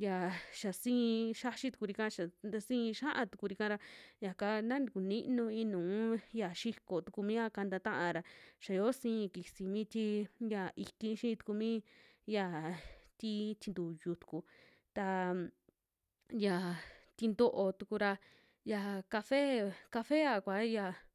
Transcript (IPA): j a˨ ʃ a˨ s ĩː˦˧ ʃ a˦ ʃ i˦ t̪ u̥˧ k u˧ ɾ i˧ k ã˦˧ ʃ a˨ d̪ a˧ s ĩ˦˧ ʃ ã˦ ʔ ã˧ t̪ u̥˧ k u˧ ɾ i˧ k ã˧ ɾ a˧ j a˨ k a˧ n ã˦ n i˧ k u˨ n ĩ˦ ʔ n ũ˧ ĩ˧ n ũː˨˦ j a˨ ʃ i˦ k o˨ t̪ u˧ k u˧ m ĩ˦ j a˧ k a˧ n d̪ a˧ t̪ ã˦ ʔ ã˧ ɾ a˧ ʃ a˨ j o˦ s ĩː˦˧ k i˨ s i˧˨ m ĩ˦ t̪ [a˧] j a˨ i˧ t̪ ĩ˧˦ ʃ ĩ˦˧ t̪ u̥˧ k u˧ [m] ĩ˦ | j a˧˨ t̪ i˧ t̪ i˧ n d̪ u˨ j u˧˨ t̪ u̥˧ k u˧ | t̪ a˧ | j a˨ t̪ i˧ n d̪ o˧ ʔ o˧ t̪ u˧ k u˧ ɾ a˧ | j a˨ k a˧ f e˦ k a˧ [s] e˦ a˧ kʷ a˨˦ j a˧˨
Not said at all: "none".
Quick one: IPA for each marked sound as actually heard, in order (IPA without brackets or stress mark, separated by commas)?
i˧, m, f